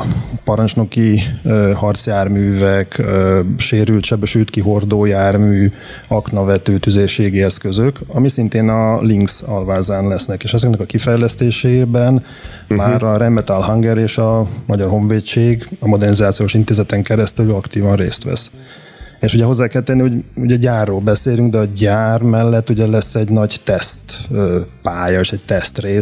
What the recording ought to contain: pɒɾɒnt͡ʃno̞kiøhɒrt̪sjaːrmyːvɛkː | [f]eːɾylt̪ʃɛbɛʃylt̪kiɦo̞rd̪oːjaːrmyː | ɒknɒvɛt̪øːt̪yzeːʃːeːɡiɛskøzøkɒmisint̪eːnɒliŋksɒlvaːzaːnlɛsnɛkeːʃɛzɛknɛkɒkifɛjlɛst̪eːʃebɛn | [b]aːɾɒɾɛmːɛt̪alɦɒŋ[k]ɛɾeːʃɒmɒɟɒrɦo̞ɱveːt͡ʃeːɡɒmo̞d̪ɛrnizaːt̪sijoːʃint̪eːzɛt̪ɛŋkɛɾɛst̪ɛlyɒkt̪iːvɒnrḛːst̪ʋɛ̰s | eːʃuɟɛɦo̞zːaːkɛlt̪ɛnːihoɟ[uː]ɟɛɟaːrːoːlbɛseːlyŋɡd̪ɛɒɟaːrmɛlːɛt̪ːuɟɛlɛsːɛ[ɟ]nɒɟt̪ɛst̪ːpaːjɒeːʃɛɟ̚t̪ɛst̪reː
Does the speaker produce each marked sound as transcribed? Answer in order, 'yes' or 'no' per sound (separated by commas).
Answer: no, no, no, no, yes